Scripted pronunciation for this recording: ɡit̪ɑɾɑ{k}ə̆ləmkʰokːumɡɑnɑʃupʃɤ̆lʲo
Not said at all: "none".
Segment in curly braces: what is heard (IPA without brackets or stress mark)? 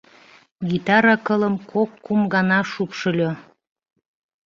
k